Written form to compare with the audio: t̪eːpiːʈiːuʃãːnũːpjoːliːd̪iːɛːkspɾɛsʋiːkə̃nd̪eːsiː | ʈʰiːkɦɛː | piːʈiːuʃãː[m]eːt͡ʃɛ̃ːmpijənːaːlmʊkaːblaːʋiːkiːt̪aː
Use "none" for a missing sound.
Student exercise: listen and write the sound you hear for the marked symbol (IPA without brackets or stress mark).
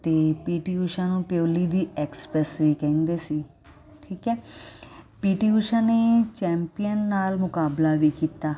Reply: n